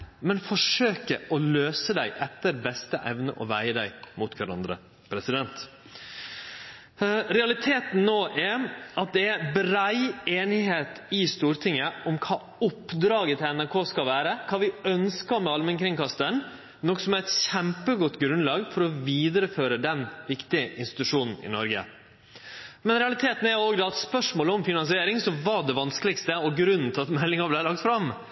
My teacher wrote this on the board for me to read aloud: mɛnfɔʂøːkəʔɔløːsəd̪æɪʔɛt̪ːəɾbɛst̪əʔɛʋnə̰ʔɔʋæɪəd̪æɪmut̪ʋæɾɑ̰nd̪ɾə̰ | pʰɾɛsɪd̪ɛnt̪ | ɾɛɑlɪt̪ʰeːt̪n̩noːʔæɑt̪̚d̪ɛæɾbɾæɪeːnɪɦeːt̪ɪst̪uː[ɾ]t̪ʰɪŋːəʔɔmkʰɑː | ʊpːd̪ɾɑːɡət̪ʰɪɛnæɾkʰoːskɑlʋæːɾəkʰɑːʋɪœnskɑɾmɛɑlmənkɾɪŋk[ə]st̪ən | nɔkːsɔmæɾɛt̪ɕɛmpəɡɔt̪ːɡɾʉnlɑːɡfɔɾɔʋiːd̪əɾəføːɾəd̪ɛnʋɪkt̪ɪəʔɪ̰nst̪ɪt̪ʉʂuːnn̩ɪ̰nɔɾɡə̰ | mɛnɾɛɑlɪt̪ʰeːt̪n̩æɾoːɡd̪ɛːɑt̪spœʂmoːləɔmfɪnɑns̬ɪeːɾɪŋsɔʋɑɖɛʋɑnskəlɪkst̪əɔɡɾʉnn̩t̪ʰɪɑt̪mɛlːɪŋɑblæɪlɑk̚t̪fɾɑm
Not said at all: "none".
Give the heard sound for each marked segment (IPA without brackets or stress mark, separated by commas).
ɾ, ɑ